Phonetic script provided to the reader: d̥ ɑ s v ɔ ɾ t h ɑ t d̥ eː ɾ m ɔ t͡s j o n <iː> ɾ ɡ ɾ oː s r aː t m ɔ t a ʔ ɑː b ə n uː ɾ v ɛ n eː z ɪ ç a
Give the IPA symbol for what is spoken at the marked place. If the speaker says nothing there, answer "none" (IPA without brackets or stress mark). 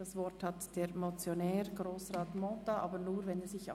ɛː